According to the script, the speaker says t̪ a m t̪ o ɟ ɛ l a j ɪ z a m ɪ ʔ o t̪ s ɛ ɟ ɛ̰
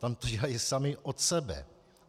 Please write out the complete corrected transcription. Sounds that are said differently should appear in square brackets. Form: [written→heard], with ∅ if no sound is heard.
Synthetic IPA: t̪ a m t̪ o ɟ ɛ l a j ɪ [z→s] a m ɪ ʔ o t̪ s ɛ [ɟ→b] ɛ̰